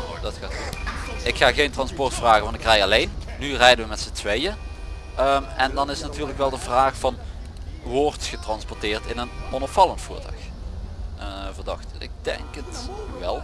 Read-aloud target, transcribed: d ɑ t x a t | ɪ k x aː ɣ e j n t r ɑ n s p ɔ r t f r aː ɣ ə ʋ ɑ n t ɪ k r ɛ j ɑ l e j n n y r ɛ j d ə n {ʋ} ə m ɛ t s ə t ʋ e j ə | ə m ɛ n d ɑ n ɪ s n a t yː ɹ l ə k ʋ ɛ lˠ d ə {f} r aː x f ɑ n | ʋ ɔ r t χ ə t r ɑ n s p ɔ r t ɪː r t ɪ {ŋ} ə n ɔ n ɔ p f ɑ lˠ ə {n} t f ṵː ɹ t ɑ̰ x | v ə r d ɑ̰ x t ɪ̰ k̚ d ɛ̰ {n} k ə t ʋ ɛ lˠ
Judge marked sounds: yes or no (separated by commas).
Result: yes, no, no, yes, no